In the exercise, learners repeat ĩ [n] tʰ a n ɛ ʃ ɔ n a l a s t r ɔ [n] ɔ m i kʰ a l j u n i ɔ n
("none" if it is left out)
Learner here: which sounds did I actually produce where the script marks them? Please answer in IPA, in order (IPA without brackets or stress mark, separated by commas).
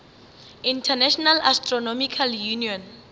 n, n